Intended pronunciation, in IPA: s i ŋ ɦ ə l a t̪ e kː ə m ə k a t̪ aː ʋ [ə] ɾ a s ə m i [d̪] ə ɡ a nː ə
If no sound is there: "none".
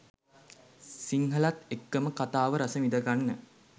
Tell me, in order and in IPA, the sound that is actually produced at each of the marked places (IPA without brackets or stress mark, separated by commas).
ə, d̪